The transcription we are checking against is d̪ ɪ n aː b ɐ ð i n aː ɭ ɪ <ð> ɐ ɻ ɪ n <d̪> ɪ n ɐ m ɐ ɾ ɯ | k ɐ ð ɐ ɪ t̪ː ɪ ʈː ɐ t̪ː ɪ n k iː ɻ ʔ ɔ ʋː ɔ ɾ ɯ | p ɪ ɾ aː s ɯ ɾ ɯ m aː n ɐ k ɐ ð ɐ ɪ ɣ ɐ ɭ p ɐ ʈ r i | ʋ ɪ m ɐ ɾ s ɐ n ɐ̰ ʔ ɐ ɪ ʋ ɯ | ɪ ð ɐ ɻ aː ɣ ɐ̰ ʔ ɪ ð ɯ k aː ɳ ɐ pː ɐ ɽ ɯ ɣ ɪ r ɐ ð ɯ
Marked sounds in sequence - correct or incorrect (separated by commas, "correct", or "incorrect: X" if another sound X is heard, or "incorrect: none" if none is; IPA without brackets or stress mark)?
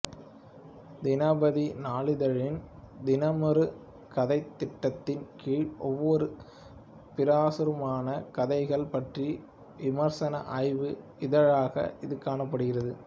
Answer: correct, correct